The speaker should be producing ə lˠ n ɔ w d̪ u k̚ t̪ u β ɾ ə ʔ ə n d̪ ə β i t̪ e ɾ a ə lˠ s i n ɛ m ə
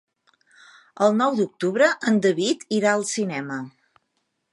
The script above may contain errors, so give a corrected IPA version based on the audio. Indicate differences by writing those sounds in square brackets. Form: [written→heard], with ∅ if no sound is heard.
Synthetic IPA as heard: ə lˠ n ɔ w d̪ u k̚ t̪ u β ɾ ə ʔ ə n d̪ ə β i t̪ [e→i] ɾ a ə lˠ s i n ɛ m ə